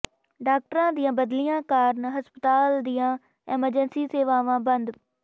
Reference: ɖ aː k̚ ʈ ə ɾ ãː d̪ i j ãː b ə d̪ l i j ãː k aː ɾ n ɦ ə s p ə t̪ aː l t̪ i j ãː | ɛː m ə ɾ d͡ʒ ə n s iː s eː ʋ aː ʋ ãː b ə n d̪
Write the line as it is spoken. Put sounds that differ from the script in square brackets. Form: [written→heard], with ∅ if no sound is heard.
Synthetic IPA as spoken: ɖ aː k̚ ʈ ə ɾ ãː d̪ i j ãː b ə d̪ l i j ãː k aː ɾ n ɦ ə s p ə t̪ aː l [t̪→d̪] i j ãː | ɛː m ə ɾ d͡ʒ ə n s iː s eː ʋ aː ʋ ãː b ə n d̪